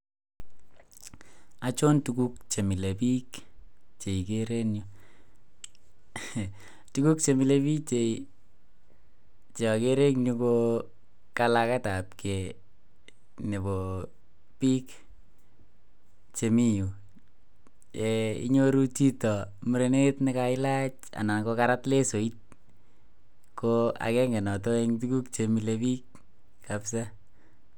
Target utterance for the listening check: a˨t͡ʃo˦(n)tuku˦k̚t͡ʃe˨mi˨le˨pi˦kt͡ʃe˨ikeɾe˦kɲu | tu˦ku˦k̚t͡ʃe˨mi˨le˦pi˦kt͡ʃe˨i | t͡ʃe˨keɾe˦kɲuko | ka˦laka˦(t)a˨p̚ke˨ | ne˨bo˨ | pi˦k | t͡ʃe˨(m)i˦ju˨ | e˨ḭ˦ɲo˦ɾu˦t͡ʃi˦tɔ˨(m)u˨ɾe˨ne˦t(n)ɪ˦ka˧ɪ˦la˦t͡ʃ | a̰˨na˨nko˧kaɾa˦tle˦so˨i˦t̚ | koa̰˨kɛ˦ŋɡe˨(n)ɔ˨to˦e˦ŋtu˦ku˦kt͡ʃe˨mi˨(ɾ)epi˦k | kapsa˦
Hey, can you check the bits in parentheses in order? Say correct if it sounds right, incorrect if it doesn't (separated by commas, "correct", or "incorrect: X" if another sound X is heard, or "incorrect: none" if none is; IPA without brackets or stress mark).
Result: correct, correct, correct, correct, correct, correct, incorrect: l